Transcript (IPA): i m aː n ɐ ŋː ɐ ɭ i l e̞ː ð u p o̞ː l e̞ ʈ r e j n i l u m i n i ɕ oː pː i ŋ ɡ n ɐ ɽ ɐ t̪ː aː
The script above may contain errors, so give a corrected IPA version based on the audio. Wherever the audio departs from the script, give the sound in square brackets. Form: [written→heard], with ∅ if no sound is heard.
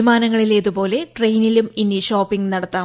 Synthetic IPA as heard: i m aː n ɐ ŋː ɐ ɭ i l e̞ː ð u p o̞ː l e̞ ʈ r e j n i l u m i n i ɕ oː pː i ŋ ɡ n ɐ ɽ ɐ t̪ː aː